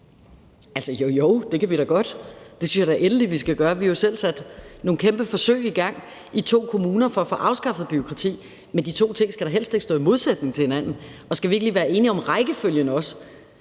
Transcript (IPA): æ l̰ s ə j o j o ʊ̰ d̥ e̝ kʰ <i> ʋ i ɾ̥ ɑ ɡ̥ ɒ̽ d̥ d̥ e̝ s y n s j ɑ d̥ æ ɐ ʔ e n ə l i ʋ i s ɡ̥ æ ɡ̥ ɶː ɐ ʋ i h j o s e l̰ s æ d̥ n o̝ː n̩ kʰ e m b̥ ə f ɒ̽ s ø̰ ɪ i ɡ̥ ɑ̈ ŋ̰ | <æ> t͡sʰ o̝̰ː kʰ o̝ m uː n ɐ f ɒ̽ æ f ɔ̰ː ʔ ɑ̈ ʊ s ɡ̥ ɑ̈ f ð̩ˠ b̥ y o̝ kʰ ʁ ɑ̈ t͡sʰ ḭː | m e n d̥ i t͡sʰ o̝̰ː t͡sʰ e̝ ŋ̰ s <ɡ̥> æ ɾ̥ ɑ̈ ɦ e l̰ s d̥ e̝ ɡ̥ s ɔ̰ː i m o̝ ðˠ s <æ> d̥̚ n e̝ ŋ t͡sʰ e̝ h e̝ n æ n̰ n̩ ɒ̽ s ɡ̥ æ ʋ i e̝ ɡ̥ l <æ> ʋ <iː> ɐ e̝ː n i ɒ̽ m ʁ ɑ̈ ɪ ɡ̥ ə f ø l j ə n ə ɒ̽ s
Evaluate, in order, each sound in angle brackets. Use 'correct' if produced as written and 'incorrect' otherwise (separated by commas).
incorrect, incorrect, correct, incorrect, incorrect, incorrect